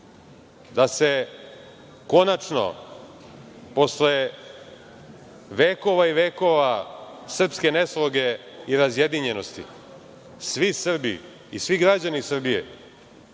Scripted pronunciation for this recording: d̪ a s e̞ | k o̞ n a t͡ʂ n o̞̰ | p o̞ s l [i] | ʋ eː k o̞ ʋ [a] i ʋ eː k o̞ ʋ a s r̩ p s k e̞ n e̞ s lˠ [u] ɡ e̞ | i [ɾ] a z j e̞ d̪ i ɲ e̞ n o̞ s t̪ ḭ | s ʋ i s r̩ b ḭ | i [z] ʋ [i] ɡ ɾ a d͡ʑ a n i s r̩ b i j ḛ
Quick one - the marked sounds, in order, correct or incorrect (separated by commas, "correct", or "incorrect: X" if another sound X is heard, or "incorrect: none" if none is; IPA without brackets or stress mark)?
incorrect: e, correct, incorrect: o, correct, incorrect: s, correct